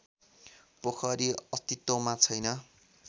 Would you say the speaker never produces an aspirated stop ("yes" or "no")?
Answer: no